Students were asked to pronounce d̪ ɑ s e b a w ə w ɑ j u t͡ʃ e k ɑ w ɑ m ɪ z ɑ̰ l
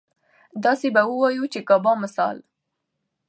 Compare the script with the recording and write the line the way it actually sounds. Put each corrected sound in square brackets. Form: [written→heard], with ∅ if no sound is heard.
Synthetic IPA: d̪ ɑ s e b a w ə w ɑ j u t͡ʃ e k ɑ [w→b] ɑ m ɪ [z→s] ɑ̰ l

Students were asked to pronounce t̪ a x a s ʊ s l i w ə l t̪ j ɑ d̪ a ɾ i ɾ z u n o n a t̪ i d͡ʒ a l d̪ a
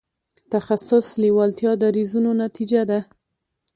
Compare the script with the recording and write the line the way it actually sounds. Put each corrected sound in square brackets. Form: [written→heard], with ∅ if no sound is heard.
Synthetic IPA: t̪ a x a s ʊ s l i w [ə→ɑ] l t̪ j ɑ d̪ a ɾ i [ɾ→∅] z u n o n a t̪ i d͡ʒ a [l→∅] d̪ a

